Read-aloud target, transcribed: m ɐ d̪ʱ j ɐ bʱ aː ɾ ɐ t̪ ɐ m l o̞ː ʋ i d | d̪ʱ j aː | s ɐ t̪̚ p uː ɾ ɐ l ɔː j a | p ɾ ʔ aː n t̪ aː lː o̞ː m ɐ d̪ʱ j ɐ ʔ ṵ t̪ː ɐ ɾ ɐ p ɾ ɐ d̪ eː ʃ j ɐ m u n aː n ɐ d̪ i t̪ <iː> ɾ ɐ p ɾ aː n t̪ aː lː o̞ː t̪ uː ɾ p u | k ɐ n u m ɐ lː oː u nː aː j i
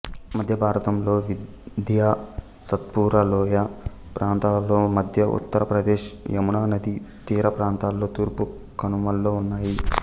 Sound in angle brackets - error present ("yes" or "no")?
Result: no